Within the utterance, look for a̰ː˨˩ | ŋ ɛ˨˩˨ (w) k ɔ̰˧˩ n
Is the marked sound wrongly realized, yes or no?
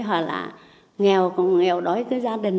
no